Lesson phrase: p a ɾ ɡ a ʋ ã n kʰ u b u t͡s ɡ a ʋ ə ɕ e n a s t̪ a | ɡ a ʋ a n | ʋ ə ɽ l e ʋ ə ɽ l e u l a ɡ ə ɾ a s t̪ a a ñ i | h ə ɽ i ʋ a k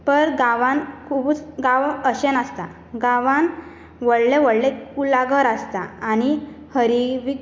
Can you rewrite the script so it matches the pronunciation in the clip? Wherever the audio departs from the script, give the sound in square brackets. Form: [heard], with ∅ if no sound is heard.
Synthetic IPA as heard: p [ə] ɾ ɡ a ʋ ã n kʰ u b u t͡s ɡ a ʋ ə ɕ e n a s t̪ a | ɡ a ʋ a n | ʋ ə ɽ l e ʋ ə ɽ l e u l a ɡ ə ɾ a s t̪ a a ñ i | h ə [ɾ] i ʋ [i] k